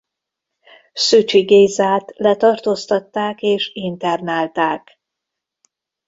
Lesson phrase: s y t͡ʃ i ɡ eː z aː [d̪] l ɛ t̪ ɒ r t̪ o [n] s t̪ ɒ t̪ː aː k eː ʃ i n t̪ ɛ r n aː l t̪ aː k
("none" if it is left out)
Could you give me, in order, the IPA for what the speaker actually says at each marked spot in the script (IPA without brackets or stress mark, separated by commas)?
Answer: t̪, none